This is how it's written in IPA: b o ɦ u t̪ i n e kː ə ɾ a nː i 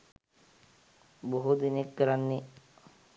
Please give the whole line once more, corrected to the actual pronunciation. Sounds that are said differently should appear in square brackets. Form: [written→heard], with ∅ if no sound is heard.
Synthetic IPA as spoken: b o ɦ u [t̪→d̪] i n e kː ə ɾ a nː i

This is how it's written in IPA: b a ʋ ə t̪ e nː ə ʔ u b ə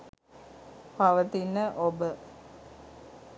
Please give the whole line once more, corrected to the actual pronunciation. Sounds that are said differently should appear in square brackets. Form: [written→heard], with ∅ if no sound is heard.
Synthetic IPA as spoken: [b→p] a ʋ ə t̪ [e→i] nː ə ʔ [u→o] b ə

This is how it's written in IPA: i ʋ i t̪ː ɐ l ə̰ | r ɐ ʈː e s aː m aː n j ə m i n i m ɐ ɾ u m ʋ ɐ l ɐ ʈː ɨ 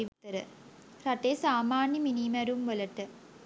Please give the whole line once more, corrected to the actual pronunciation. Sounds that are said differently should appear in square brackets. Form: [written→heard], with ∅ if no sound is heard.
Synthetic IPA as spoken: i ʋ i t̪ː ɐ [l→ɾ] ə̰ | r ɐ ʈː e s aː m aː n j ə m i n i m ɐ ɾ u m ʋ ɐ l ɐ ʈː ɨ

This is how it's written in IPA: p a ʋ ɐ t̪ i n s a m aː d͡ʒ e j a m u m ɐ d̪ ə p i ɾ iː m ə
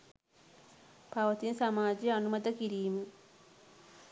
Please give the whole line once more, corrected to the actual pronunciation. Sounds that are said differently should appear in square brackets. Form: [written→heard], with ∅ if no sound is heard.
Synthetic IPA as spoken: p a ʋ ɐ t̪ i n s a m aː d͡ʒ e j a [m→n] u m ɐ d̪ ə [p→k] i ɾ iː m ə

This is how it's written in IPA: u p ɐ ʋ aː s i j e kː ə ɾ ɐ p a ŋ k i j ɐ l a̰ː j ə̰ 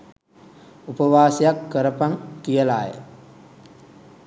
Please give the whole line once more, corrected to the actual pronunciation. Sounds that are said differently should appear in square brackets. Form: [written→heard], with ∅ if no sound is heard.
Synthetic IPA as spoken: u p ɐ ʋ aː s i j [e→a] kː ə ɾ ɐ p a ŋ k i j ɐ l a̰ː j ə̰

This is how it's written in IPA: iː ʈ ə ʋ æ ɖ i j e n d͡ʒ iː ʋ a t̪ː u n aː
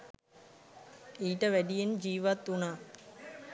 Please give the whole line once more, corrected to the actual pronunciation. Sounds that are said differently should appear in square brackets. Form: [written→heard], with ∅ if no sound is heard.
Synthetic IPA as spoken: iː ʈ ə ʋ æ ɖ i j e n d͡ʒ iː ʋ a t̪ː u n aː

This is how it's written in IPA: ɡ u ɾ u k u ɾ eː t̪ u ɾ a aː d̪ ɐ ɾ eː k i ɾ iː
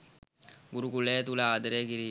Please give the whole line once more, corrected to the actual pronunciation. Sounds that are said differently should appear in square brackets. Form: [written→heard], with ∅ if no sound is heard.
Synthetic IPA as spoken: ɡ u ɾ u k u [ɾ→l] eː t̪ u [ɾ→l] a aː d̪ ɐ ɾ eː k i ɾ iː

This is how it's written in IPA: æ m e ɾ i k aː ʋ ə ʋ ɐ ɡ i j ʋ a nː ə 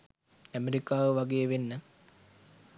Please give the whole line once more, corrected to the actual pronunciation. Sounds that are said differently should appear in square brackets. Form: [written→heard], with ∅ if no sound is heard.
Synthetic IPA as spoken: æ m e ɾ i k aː ʋ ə ʋ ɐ ɡ [i→e] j ʋ [a→e] nː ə

